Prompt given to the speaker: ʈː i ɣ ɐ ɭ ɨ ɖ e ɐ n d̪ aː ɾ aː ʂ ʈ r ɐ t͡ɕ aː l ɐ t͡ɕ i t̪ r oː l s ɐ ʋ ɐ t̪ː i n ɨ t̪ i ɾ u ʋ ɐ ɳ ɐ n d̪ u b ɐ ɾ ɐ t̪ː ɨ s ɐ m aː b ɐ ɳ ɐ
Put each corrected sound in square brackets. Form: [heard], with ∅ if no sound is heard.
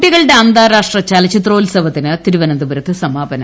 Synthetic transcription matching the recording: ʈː i ɣ ɐ ɭ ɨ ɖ e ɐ n d̪ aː ɾ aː ʂ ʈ r ɐ t͡ɕ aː l ɐ t͡ɕ i t̪ r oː l s ɐ ʋ ɐ t̪ː i n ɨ t̪ i ɾ u ʋ ɐ [n] ɐ n d̪ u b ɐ ɾ ɐ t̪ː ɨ s ɐ m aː b ɐ [n] ɐ